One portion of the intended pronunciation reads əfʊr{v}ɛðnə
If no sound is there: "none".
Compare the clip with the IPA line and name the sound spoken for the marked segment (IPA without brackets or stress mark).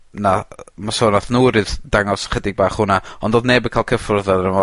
ð